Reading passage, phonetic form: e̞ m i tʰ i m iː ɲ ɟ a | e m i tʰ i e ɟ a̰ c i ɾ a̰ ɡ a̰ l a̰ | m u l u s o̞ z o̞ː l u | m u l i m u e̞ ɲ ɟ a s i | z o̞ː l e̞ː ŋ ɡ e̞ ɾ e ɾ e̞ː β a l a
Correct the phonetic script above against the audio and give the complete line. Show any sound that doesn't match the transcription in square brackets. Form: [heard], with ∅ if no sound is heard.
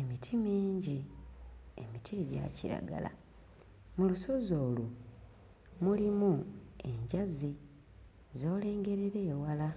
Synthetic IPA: e̞ m i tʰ i m iː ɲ ɟ [i] | e m i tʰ i e ɟ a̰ c i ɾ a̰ ɡ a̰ l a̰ | m u l u s o̞ z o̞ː l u | m u l i m u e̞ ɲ ɟ a [z] i | z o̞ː l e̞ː ŋ ɡ e̞ ɾ e ɾ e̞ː [w] a l a